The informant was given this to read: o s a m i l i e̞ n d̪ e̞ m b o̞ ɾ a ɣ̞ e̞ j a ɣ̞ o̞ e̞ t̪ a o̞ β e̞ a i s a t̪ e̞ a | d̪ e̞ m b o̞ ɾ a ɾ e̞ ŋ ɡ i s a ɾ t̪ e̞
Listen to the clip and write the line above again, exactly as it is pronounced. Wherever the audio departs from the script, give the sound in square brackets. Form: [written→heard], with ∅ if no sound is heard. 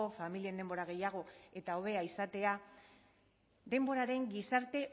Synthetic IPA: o [s→f] a m i l i e̞ n d̪ e̞ m b o̞ ɾ a ɣ̞ e̞ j a ɣ̞ o̞ e̞ t̪ a o̞ β e̞ a i s a t̪ e̞ a | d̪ e̞ m b o̞ ɾ a ɾ e̞ ŋ ɡ i s a ɾ t̪ e̞